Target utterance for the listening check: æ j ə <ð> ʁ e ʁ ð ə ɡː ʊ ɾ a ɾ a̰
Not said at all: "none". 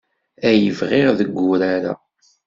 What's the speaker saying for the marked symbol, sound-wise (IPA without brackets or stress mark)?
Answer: v